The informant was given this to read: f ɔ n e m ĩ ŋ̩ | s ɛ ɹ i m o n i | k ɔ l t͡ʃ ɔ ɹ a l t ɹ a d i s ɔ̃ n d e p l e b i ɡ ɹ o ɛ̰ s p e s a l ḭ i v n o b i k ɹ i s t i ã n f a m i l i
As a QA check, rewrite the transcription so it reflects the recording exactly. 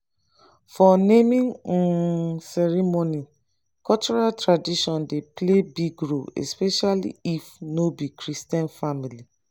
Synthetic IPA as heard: f ɔ n e m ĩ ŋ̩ | s ɛ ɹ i m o n i | k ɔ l t͡ʃ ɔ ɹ a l t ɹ a d i ʃ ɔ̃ n d e p l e b i ɡ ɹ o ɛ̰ s p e ʃ a l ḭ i f n o b i k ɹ i s t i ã n f a m i l i